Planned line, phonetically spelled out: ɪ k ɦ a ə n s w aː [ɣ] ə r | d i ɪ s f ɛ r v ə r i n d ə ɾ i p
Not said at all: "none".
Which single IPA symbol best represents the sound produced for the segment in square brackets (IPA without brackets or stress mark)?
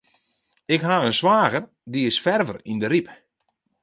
ɣ